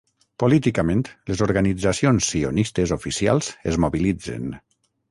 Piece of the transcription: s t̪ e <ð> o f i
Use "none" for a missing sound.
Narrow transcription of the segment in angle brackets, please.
z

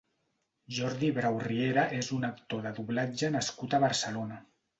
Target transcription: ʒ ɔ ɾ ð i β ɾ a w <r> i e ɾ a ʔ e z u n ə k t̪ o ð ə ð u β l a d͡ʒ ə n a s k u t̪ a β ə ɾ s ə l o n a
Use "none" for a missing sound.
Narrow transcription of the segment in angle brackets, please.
r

